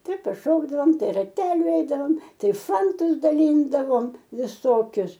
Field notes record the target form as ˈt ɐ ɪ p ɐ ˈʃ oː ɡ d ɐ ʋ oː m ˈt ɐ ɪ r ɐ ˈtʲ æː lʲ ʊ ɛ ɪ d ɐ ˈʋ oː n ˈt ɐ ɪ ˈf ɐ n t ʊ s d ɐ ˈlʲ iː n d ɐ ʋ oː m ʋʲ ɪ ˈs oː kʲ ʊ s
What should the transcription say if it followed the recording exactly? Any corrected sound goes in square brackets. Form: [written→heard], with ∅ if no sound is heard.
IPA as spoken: ˈt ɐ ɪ p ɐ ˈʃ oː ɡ d ɐ ʋ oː m ˈt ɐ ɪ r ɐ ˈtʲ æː lʲ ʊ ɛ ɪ d ɐ ˈʋ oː [n→m] ˈt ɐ ɪ ˈf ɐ n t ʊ s d ɐ ˈlʲ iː n d ɐ ʋ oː m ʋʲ ɪ ˈs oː kʲ ʊ s